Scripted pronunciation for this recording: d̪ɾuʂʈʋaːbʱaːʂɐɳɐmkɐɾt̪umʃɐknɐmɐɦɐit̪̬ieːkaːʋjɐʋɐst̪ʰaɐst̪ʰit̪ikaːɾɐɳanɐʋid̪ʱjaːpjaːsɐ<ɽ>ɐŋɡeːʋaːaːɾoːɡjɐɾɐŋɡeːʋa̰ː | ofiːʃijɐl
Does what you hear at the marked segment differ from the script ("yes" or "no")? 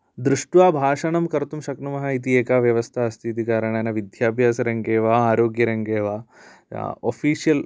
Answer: yes